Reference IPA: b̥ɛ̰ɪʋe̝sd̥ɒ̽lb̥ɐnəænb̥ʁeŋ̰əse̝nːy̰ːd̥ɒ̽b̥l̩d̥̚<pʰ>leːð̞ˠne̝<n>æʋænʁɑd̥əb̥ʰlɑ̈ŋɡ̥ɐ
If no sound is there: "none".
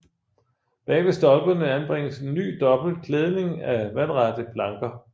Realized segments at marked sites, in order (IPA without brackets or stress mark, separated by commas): kʰ, ŋ